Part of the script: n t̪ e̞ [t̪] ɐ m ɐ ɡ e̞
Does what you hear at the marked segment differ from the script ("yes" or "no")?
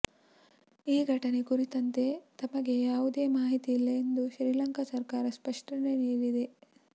no